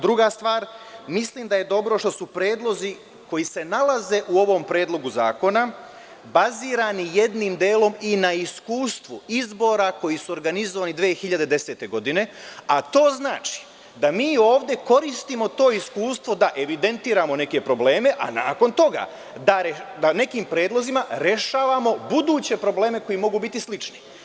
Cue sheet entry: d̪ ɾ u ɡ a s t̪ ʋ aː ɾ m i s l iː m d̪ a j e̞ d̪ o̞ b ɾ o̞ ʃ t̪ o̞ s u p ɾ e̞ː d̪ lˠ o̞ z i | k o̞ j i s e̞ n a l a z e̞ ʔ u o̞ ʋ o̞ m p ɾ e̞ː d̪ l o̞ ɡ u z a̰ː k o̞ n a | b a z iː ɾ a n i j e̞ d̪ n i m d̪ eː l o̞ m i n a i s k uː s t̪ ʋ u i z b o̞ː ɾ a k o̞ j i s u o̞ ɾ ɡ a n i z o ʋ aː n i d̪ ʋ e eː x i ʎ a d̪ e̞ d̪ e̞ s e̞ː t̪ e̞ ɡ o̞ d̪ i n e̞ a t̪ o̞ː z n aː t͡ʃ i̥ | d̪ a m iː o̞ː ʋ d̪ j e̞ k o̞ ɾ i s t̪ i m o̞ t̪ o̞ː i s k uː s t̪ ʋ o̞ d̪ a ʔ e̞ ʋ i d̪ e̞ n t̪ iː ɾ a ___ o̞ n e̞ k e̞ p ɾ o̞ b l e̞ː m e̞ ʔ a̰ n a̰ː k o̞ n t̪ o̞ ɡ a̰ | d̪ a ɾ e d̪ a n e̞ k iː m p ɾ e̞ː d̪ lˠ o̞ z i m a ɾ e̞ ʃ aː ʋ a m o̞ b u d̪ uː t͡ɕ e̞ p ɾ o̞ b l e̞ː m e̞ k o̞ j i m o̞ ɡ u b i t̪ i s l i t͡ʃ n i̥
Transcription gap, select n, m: m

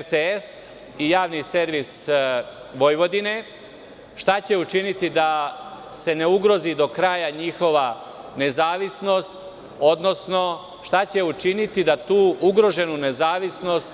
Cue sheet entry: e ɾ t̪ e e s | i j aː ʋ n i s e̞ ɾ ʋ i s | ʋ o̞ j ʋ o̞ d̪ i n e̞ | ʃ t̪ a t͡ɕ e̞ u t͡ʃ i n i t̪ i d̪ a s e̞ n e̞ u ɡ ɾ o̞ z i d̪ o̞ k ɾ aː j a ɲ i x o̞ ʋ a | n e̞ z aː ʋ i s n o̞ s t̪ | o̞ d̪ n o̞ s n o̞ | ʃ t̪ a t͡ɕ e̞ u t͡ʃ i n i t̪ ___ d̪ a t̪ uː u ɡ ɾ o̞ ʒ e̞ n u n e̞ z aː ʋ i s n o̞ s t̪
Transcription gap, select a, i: i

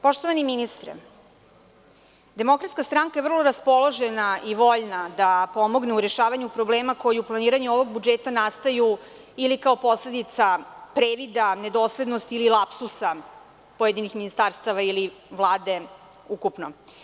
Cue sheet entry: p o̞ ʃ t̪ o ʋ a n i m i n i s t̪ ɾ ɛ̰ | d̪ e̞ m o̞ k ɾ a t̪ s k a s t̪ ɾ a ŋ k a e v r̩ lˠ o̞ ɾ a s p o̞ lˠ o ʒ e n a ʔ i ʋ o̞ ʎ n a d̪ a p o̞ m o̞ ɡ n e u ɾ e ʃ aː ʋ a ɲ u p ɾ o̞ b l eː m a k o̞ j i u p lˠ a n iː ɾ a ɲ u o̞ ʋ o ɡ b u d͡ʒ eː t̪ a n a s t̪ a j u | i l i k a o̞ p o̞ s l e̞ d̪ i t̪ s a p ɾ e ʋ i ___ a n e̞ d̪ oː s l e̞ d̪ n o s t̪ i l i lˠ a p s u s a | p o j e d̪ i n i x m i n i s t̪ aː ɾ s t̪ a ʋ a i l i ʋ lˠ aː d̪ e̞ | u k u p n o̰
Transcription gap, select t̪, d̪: d̪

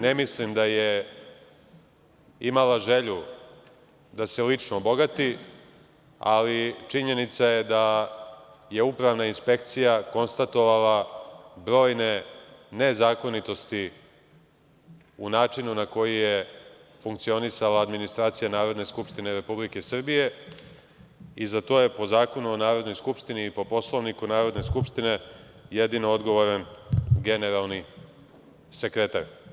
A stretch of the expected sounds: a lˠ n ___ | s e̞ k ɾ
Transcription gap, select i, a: i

